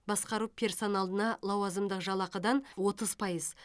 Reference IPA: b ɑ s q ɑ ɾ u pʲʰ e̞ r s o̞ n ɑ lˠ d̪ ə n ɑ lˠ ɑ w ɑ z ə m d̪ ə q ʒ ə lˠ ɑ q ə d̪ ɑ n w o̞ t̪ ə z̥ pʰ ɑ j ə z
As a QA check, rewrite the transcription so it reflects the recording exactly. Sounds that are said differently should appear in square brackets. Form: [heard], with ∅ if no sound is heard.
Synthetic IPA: b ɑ s q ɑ ɾ u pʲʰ e̞ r s o̞ n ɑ lˠ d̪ ə n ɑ lˠ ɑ w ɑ z ə m d̪ ə q ʒ [ɑ] lˠ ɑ q ə d̪ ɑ n w o̞ t̪ ə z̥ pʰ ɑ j ə z